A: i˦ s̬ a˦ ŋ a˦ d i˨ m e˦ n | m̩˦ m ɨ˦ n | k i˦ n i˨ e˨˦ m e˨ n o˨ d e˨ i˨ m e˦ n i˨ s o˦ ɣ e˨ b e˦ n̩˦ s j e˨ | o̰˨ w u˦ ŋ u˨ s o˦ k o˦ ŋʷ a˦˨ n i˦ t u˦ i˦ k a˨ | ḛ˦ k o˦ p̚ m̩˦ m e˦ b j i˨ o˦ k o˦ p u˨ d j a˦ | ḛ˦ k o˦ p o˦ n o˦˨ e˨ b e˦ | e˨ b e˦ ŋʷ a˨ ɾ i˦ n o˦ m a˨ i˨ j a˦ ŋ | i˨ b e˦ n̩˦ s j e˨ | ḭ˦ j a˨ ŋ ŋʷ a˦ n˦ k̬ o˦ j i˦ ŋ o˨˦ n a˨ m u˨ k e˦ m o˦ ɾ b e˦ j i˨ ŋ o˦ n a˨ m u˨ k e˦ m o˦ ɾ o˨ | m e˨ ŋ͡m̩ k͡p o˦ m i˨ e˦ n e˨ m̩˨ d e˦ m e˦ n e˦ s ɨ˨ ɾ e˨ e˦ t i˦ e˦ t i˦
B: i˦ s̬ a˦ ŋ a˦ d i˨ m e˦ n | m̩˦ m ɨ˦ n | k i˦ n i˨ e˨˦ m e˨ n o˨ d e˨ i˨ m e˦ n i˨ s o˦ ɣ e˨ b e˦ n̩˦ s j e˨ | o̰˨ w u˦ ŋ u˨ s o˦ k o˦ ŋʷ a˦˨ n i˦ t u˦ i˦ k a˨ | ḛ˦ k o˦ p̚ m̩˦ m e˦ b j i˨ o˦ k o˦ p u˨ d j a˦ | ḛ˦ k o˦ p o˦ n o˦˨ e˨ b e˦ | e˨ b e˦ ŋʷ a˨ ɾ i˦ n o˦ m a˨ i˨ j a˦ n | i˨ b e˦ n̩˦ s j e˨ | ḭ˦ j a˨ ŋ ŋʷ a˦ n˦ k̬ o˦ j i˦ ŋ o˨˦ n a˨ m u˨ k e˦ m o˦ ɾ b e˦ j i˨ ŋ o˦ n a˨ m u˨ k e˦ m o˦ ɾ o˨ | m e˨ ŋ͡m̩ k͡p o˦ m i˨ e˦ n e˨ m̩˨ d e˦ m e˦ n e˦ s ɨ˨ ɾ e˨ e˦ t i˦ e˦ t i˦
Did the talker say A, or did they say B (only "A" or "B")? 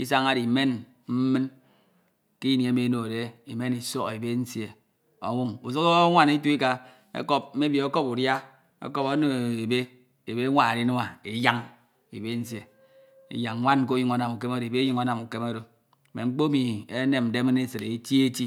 A